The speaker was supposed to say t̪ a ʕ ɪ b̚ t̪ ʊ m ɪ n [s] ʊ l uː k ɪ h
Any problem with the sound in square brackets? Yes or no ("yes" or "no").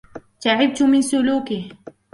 no